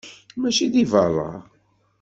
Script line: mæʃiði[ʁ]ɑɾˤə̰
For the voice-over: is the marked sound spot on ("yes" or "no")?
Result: no